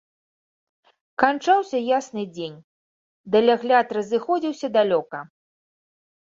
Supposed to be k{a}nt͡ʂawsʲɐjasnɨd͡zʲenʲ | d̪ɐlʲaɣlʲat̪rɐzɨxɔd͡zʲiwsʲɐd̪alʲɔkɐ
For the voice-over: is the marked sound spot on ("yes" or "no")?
yes